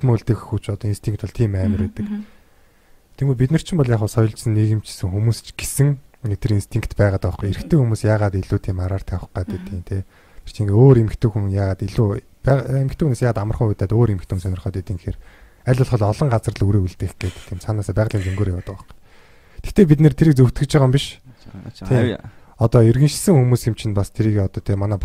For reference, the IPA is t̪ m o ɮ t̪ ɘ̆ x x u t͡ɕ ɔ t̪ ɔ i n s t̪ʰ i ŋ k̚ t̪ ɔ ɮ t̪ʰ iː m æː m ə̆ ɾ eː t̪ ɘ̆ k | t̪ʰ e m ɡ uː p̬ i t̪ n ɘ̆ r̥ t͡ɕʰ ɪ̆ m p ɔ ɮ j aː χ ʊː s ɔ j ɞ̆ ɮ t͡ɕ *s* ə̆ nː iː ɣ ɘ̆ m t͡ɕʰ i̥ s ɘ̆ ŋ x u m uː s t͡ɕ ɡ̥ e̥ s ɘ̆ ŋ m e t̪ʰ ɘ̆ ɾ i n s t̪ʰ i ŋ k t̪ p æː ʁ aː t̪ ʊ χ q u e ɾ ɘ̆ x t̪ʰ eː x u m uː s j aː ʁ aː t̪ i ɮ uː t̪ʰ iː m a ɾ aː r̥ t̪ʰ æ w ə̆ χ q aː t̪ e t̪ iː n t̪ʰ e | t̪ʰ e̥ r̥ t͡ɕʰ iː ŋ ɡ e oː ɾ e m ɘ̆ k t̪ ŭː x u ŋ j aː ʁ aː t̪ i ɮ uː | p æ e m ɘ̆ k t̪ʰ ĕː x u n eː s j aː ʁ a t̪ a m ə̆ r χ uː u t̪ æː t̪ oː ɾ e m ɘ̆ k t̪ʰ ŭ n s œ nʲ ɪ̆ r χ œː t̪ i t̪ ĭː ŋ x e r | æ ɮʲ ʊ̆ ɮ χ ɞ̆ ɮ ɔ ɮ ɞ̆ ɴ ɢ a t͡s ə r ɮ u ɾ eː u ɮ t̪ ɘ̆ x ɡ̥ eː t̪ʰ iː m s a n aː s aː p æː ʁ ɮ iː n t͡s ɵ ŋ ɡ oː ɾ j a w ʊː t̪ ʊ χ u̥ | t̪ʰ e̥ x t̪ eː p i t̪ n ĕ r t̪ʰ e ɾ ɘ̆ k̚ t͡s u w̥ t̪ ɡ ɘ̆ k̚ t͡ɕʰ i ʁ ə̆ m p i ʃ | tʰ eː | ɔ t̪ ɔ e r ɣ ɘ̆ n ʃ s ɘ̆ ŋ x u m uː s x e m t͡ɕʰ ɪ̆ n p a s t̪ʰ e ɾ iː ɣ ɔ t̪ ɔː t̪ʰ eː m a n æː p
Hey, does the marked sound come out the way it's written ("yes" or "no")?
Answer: yes